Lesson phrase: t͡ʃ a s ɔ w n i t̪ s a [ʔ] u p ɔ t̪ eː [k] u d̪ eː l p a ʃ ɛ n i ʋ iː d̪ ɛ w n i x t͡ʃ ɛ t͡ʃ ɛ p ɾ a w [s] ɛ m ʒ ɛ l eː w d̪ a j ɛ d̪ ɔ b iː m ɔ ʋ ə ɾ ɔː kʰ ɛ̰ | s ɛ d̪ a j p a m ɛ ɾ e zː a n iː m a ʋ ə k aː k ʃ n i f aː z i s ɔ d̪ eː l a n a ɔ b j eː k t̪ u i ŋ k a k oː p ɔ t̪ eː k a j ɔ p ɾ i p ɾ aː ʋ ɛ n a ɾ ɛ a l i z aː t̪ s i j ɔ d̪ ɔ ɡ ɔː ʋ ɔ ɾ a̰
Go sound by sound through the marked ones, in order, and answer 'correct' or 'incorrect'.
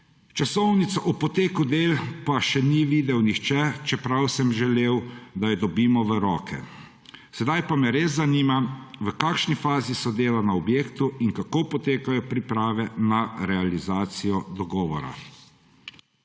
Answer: correct, correct, correct

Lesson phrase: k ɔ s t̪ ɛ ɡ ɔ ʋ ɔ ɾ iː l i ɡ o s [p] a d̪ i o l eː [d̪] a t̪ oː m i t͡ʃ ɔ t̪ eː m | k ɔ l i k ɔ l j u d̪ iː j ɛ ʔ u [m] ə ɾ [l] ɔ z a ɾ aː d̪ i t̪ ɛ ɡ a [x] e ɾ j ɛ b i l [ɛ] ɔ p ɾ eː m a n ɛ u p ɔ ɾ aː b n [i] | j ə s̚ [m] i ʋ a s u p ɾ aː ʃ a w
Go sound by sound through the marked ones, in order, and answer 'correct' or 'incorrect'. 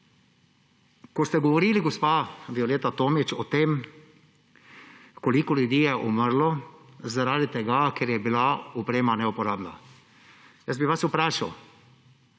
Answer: correct, incorrect, correct, correct, incorrect, incorrect, incorrect, incorrect

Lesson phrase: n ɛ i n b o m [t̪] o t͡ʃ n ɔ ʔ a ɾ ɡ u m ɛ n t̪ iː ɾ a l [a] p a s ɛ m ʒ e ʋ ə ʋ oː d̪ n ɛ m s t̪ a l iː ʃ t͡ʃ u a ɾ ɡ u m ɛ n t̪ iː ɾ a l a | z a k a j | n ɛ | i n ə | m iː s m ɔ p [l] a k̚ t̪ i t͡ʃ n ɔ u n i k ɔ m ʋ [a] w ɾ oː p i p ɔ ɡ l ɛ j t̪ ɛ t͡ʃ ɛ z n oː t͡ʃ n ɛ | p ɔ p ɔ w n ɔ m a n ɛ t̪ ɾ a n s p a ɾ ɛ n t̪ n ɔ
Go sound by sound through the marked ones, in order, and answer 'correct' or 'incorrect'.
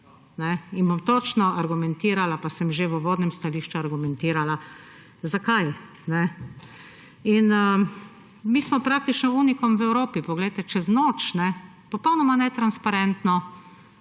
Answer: correct, correct, incorrect, incorrect

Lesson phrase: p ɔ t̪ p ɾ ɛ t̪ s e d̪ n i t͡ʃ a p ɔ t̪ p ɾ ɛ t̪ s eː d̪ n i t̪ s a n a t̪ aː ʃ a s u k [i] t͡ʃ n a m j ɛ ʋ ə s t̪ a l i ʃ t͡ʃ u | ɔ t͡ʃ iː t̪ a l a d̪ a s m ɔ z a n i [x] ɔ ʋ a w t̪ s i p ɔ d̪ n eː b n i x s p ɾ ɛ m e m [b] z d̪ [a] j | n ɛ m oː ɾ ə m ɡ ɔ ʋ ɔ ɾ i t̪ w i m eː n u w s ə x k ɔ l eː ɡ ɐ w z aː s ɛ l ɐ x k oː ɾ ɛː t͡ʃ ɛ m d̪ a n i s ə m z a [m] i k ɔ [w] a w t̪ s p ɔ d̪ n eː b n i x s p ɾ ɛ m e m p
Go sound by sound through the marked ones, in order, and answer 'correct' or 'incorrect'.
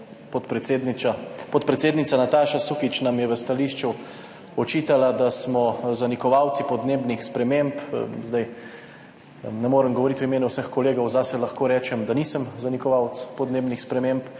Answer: correct, incorrect, incorrect, correct, incorrect, incorrect

